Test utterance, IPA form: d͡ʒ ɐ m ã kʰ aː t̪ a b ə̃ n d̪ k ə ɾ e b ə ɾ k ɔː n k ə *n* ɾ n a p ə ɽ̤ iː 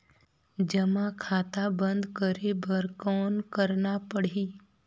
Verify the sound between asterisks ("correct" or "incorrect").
incorrect